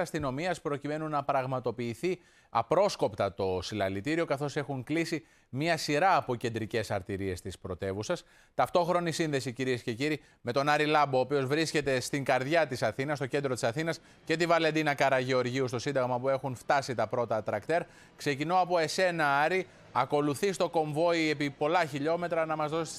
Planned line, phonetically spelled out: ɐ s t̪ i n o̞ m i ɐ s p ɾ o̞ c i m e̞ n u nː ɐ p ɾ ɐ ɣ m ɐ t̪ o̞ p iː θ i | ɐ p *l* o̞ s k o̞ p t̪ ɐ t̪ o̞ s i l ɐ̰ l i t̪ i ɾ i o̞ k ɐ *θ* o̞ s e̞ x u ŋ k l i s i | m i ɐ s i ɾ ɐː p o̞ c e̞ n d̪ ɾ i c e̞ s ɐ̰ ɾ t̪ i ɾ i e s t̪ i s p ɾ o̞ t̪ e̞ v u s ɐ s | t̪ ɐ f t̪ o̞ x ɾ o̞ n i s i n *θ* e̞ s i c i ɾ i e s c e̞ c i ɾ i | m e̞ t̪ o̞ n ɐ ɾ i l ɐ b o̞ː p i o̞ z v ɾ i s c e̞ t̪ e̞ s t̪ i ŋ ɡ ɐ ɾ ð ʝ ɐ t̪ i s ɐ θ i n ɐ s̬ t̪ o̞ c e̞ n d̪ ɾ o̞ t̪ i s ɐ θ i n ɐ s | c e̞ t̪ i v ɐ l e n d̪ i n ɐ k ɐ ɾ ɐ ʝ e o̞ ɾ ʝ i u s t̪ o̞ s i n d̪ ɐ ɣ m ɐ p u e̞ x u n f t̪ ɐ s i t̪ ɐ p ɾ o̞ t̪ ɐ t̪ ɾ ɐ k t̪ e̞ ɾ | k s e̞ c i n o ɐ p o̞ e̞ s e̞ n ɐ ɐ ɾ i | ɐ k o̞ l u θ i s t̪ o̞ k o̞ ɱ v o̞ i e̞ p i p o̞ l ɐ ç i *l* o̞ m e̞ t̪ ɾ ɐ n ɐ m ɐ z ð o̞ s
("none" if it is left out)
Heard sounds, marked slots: ɾ, θ, ð, ʎ

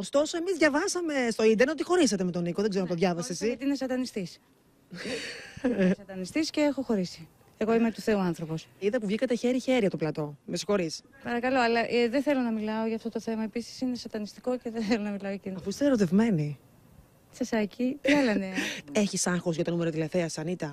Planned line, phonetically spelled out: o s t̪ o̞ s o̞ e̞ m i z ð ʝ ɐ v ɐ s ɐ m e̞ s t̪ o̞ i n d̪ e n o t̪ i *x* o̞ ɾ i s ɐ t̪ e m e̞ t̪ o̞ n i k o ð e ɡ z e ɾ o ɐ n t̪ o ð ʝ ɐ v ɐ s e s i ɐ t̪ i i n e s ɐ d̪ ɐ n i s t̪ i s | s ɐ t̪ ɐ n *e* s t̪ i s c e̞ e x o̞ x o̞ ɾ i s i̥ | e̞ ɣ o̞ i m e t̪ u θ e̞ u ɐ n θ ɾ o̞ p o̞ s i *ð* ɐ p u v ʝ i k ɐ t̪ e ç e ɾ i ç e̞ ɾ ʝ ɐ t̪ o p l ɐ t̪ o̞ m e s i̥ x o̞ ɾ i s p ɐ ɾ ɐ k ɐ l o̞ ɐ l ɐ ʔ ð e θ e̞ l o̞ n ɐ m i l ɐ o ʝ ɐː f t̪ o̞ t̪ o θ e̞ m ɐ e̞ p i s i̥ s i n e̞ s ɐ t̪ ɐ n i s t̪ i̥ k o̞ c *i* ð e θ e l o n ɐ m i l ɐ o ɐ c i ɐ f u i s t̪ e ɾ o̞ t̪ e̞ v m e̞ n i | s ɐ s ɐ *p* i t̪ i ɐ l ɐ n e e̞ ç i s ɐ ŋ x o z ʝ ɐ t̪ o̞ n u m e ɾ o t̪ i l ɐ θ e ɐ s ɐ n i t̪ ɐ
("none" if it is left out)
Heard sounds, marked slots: x, i, ð, e, c

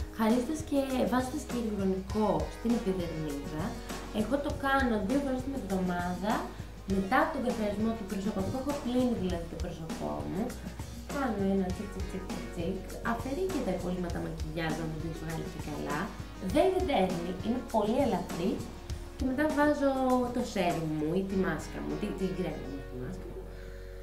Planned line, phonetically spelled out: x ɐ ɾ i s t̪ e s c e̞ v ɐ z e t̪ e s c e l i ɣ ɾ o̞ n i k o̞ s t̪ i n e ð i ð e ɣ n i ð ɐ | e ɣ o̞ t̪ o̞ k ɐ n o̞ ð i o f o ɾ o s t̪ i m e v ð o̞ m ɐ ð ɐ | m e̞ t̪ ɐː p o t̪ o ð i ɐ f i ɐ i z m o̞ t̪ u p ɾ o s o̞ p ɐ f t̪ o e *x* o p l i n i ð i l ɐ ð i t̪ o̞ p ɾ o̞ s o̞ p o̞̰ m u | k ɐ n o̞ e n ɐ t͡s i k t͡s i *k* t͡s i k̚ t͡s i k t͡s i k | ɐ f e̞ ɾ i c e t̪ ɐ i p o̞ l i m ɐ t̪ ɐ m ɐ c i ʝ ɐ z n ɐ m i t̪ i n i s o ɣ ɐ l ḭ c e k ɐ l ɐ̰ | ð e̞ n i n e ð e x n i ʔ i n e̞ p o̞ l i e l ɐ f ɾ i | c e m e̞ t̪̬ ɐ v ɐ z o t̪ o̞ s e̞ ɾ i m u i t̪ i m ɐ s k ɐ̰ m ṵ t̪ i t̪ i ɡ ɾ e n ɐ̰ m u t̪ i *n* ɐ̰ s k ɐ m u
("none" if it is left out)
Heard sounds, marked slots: x, k, m

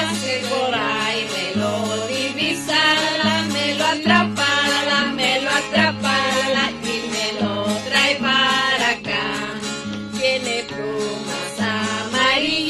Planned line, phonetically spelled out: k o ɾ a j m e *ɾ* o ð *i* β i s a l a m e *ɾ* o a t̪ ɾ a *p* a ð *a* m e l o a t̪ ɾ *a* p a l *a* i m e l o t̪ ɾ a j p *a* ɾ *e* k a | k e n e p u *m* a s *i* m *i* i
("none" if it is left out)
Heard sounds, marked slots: l, i, l, p, a, a, a, a, a, m, a, a

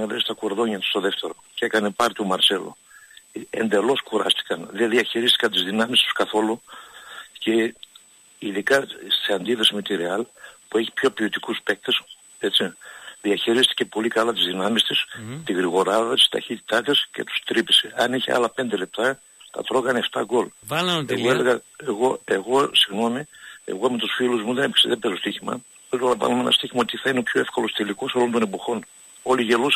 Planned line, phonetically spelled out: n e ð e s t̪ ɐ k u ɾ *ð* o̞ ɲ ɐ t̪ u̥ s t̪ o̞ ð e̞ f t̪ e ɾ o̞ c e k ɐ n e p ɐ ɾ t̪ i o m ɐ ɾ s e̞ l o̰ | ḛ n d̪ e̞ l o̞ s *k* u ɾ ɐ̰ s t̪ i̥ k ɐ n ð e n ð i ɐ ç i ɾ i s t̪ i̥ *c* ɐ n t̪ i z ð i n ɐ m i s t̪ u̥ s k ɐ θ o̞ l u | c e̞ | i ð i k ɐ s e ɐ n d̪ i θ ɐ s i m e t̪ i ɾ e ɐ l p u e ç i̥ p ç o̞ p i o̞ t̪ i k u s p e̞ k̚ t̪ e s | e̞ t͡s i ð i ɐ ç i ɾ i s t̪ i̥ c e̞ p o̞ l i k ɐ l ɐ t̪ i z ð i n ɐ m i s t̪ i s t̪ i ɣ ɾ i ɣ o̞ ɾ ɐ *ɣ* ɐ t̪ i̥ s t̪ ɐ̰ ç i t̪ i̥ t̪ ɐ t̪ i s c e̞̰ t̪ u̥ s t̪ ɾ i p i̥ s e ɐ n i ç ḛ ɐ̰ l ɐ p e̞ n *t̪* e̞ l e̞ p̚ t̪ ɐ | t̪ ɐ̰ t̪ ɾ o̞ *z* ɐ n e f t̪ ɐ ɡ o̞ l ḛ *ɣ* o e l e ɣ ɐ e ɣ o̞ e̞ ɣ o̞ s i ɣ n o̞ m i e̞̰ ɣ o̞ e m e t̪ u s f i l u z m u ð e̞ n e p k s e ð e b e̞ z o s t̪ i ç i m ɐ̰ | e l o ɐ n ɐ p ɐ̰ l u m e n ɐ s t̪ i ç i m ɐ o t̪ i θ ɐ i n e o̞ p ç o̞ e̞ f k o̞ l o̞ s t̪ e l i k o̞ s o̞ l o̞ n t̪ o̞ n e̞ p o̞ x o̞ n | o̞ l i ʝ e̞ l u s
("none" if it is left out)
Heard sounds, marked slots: ð, k, k, ð, d̪, ɣ, ɣ

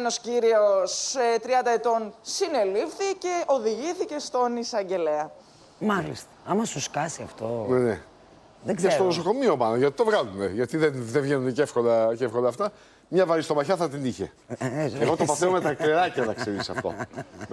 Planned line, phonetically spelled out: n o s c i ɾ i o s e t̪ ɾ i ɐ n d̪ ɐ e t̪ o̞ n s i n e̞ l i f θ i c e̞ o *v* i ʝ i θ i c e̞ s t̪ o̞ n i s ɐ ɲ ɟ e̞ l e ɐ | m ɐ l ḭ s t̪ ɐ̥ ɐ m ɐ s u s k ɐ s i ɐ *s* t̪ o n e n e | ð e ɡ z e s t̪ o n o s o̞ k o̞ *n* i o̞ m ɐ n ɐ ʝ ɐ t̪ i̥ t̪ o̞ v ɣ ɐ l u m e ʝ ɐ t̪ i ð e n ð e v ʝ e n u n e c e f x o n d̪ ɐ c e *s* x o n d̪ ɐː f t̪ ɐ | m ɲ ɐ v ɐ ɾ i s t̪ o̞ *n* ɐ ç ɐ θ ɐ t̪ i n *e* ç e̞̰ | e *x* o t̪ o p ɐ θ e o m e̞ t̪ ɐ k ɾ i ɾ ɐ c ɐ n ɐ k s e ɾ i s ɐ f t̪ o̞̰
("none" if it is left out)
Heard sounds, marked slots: ð, f, m, f, m, i, ɣ

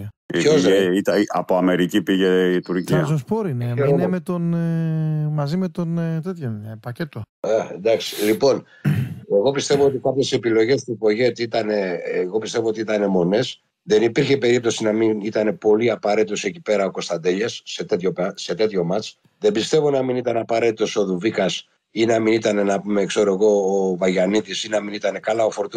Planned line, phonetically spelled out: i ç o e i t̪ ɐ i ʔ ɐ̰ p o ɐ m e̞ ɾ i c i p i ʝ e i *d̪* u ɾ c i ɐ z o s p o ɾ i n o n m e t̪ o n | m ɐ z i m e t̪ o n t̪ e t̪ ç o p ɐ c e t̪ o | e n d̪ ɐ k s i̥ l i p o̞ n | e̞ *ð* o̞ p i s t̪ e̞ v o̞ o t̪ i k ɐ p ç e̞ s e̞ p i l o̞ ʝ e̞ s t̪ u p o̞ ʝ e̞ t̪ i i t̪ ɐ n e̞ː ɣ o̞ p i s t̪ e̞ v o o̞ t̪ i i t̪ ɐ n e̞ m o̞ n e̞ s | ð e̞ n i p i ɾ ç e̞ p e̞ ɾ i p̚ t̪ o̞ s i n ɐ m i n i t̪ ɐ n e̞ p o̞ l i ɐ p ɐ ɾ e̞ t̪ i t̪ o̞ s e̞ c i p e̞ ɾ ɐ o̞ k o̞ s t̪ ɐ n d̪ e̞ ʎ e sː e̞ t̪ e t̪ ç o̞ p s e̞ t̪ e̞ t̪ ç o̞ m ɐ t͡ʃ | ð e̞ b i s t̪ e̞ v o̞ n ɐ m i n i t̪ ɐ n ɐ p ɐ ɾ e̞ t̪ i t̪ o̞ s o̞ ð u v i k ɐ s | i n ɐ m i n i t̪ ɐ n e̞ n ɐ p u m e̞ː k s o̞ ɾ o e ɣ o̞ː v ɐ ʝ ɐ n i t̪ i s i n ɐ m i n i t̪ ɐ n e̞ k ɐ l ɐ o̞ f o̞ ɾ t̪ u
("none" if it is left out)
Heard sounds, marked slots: t̪, ɣ

